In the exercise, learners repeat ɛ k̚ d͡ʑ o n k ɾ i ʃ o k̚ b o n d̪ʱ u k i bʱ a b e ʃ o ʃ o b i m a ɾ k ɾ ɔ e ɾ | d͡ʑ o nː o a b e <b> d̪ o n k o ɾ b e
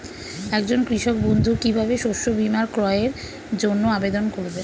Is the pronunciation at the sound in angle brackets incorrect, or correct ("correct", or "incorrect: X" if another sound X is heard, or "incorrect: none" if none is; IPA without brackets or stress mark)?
incorrect: none